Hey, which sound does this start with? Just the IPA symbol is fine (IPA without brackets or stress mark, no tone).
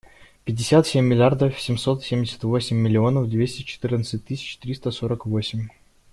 pʲ